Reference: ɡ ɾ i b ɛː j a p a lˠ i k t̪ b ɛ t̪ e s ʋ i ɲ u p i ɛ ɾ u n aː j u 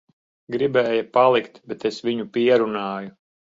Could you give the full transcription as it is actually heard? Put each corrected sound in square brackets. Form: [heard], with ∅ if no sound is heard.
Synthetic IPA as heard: ɡ ɾ i b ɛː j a p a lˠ i k t̪ b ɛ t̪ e s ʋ i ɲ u p i ɛ ɾ u n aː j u